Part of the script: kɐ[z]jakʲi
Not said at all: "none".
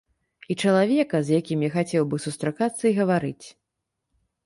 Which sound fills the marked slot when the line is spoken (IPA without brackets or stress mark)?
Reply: z